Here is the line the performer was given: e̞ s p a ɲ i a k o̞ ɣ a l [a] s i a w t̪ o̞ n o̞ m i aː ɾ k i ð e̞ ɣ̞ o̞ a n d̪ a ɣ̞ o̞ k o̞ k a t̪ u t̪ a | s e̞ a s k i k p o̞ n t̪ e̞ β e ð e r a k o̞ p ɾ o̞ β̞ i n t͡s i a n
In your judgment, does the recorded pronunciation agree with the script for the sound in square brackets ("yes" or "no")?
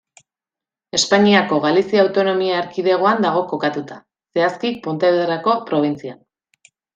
no